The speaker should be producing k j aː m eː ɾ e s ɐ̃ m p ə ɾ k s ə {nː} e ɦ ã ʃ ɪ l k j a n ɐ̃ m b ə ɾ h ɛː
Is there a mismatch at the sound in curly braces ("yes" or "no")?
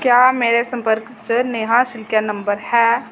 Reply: yes